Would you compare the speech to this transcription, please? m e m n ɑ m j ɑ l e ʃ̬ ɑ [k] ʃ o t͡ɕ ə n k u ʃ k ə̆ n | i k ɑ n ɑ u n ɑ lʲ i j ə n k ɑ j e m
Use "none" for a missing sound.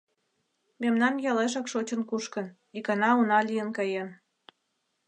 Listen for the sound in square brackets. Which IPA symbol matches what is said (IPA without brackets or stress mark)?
k